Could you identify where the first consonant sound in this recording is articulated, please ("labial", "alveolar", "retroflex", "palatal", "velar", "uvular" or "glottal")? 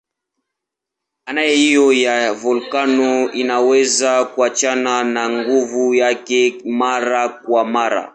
alveolar